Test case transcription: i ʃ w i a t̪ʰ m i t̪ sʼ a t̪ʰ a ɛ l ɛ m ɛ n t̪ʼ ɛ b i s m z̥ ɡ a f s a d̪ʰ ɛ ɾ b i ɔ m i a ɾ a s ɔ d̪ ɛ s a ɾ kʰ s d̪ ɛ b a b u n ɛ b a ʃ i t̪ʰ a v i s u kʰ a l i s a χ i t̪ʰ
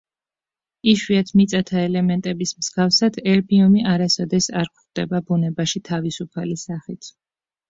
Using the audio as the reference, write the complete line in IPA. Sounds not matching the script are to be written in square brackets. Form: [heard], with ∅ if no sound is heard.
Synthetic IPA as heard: i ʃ w i a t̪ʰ m i t̪ sʼ a t̪ʰ a ɛ l ɛ m ɛ n t̪ʼ ɛ b i s m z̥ ɡ a f s a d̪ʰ ɛ ɾ b i ɔ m i a ɾ a s ɔ d̪ ɛ s a ɾ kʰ [χ] d̪ ɛ b a b u n ɛ b a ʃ i t̪ʰ a v i s u [pʰ] a l i s a χ i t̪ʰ